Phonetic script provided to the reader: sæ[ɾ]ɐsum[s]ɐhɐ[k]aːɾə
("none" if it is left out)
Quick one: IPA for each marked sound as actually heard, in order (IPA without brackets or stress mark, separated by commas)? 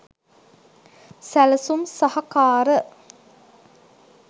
l, s, k